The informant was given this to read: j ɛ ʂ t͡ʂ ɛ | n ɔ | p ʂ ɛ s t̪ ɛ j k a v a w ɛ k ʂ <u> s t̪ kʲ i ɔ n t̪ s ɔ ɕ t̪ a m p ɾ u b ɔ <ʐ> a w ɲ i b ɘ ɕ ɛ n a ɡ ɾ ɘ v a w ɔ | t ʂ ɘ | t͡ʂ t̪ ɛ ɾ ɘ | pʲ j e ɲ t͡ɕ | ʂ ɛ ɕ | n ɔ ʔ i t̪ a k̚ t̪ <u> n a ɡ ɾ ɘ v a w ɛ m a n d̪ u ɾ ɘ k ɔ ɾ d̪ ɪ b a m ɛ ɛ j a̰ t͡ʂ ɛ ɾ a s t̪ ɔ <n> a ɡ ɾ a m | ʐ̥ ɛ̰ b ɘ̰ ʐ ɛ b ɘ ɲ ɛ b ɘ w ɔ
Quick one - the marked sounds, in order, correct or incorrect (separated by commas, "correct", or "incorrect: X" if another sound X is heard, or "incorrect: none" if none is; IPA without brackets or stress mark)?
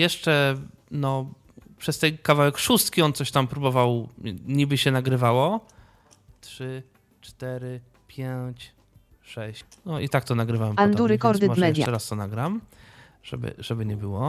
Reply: correct, incorrect: v, incorrect: ɔ, correct